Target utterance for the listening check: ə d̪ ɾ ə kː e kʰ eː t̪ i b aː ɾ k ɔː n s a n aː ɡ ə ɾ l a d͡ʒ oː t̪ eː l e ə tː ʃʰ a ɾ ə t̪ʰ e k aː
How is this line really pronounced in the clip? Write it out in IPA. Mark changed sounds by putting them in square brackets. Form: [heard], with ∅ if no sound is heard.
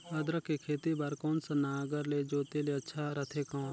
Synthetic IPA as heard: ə d̪ ɾ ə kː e kʰ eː t̪ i b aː ɾ k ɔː n s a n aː ɡ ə ɾ l [e] d͡ʒ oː t̪ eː l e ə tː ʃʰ a ɾ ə t̪ʰ e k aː